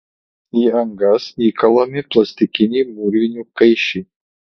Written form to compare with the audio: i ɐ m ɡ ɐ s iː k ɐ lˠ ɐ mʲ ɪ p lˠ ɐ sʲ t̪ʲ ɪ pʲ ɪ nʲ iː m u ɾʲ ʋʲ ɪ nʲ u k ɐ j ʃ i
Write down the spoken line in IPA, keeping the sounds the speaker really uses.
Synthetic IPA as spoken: i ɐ ŋ ɡ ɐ s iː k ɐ lˠ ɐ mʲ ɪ p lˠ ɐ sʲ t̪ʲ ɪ kʲ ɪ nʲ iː m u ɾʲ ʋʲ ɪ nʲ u k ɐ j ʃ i